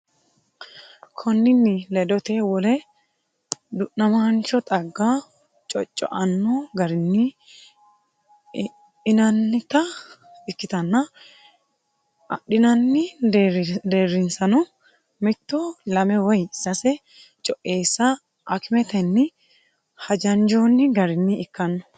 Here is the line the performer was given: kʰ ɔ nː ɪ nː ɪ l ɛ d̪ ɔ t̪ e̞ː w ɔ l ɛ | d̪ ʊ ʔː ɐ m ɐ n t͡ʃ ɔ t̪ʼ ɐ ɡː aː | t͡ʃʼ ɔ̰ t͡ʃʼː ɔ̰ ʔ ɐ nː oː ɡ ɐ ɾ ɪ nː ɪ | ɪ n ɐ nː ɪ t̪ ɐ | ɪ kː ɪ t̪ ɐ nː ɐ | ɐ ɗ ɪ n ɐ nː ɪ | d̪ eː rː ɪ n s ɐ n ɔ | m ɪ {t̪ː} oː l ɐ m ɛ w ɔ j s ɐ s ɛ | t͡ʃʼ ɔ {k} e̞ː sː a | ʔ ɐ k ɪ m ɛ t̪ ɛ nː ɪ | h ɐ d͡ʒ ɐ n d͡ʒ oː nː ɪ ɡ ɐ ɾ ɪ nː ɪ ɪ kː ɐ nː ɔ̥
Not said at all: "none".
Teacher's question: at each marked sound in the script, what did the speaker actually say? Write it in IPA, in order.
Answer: t̪ː, ʔ

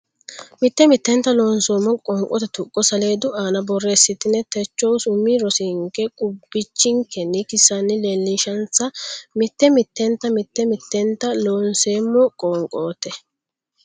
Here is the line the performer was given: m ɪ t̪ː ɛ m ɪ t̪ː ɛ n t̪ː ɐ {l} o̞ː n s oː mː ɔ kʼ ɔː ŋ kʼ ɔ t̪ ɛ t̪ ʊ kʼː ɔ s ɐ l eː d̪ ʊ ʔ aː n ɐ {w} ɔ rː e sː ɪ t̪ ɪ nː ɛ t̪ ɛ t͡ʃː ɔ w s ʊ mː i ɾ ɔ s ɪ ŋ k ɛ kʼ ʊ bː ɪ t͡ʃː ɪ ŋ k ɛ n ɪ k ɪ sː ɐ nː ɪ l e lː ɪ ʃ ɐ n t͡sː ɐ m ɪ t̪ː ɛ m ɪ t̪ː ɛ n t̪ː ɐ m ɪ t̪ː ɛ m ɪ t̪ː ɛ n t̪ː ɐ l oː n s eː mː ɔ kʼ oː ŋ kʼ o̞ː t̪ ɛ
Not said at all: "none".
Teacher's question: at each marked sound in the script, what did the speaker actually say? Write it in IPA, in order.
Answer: l, b

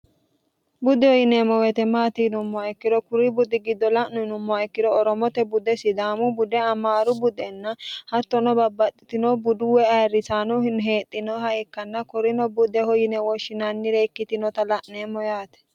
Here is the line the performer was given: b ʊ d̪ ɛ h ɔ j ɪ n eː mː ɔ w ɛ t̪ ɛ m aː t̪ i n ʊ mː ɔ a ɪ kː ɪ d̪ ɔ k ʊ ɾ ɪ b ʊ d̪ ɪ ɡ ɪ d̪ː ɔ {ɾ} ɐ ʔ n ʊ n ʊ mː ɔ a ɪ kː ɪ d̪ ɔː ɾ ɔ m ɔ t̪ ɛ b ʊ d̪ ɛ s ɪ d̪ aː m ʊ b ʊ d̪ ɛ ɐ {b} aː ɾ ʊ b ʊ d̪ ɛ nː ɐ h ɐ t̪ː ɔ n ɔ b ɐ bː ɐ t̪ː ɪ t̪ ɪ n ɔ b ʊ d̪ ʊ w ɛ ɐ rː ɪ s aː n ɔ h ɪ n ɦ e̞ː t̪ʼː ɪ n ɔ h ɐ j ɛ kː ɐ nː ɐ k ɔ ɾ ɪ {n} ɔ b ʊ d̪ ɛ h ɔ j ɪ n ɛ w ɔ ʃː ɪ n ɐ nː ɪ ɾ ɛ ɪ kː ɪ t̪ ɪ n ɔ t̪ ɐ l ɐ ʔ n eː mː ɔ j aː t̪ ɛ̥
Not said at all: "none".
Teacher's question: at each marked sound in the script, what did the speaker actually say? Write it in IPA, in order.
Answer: l, m, n

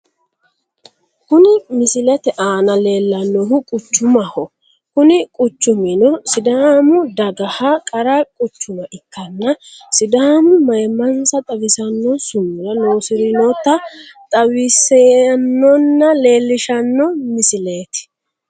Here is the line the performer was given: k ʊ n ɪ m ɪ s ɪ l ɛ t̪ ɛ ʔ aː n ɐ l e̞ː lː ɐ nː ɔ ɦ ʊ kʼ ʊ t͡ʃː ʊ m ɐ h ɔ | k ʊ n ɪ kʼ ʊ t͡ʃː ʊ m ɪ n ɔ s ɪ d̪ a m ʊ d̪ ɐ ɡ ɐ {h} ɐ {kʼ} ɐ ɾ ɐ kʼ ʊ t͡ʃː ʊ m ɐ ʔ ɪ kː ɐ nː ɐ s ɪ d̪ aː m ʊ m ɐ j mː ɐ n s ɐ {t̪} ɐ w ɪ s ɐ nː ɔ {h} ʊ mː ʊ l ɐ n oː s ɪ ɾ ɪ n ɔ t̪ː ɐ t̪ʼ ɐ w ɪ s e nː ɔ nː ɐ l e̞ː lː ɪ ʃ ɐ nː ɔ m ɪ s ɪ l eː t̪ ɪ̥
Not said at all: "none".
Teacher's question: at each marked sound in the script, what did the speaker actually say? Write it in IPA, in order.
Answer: h, kʼ, t̪ʼ, s

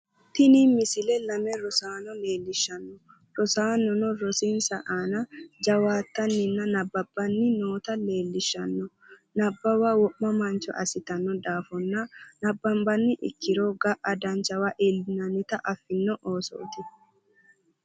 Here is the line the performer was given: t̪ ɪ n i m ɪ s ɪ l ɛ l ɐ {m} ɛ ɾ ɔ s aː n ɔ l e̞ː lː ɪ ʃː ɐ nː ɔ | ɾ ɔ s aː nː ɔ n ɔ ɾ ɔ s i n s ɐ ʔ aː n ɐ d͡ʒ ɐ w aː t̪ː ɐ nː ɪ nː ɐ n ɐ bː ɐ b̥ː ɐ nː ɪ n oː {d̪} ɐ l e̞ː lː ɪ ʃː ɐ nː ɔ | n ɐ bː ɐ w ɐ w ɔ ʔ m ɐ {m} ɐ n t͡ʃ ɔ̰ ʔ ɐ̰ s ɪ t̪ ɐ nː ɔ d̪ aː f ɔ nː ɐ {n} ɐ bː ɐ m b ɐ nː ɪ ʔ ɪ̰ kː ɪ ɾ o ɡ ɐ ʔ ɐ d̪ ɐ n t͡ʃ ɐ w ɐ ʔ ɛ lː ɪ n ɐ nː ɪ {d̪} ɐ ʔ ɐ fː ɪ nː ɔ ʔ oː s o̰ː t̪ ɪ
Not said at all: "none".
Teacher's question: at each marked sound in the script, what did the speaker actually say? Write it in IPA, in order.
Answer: m, t̪, m, n, t̪

